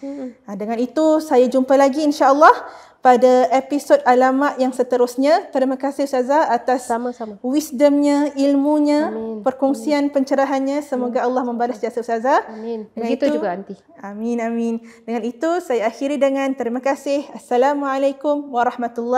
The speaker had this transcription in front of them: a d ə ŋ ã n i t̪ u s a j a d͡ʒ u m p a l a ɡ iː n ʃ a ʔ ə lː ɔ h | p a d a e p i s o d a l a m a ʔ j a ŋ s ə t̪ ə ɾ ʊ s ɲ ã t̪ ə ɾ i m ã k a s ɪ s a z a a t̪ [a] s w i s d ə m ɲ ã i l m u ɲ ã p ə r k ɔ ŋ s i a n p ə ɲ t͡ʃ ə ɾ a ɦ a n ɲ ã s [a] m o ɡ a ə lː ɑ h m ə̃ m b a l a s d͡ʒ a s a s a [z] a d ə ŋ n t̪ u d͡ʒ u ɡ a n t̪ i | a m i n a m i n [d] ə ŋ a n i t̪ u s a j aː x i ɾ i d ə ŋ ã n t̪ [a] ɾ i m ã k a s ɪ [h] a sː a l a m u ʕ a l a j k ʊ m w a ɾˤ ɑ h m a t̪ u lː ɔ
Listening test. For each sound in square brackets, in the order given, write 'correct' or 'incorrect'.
correct, incorrect, correct, correct, incorrect, correct

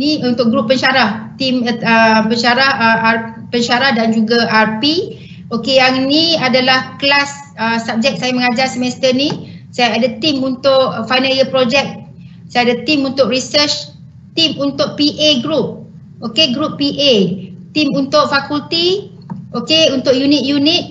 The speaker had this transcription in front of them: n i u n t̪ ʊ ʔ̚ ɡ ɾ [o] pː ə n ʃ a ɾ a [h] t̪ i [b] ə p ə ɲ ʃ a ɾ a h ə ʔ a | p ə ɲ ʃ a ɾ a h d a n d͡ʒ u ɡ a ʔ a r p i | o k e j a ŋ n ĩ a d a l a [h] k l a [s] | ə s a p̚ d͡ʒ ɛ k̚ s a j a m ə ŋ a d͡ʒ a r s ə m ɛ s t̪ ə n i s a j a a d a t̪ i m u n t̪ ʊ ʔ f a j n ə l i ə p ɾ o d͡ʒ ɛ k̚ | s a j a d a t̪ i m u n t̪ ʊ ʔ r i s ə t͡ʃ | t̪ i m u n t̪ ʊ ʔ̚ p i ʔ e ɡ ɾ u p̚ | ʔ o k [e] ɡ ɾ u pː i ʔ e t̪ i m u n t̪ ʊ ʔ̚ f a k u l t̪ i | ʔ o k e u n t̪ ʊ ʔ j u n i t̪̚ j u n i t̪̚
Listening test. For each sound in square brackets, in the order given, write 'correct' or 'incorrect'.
incorrect, correct, incorrect, correct, correct, correct

